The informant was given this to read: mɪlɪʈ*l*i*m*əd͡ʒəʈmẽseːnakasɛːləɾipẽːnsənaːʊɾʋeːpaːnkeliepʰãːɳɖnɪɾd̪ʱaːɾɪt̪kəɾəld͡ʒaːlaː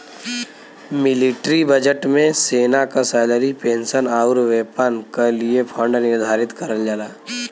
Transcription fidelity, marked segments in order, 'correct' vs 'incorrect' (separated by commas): incorrect, incorrect